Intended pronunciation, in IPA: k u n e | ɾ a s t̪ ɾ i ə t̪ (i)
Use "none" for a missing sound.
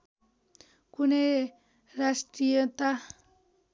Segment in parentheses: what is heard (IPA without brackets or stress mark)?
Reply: a